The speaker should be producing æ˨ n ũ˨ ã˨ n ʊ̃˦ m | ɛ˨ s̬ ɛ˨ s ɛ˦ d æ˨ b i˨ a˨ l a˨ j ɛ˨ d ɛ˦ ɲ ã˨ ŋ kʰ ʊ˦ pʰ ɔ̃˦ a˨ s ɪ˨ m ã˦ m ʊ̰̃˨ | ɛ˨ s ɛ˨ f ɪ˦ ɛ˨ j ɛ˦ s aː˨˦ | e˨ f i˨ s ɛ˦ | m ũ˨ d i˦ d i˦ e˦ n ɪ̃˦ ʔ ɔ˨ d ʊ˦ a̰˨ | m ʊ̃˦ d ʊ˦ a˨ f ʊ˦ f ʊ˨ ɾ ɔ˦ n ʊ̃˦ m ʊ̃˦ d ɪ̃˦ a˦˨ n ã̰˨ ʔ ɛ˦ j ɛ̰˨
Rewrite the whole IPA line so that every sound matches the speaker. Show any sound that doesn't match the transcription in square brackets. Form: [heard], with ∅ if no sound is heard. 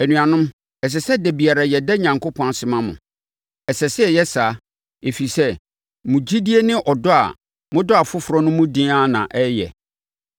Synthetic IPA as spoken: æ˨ n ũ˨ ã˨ n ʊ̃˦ m | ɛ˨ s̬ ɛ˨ s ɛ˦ d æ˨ b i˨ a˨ [ɾ] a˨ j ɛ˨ d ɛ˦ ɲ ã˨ ŋ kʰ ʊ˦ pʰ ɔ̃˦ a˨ s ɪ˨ m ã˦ m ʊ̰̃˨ | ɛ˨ s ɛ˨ [s] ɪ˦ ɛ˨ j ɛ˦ s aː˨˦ | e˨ f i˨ s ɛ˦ | m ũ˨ [d͡ʑ] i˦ d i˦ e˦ n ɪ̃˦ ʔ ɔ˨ d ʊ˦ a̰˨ | m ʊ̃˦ d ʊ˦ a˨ f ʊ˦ f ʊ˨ ɾ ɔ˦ n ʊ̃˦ m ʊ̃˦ d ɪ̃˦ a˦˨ n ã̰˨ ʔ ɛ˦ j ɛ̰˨

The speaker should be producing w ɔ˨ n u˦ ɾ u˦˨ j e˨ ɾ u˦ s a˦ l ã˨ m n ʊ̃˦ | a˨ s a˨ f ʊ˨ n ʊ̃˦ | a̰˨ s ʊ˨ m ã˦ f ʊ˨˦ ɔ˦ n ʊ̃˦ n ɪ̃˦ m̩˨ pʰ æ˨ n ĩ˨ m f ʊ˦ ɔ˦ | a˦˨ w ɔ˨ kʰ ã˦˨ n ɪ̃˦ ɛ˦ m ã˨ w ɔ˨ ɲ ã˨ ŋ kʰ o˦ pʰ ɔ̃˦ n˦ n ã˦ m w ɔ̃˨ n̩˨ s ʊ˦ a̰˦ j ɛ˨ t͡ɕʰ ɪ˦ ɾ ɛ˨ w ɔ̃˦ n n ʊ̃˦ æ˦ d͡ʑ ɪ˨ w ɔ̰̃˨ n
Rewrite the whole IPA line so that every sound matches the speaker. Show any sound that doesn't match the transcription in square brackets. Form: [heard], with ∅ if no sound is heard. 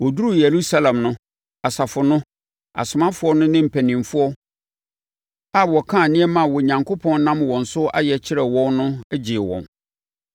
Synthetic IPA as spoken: w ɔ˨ [d] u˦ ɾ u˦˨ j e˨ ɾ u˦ s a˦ l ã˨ m n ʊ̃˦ | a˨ s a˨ f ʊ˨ n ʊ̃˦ | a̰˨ s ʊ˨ m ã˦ f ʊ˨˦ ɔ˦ n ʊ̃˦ n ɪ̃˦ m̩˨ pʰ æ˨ n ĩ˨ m f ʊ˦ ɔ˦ | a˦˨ w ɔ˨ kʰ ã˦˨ n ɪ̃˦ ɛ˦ m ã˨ w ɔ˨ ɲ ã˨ ŋ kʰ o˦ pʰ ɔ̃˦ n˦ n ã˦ m w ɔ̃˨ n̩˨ s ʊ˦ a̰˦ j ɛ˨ t͡ɕʰ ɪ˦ ɾ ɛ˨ w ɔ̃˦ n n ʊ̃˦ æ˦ d͡ʑ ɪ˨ w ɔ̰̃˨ n

